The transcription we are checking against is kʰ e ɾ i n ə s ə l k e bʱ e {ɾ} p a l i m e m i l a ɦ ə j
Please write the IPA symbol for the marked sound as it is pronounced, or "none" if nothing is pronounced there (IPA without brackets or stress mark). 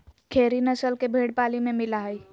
ɽ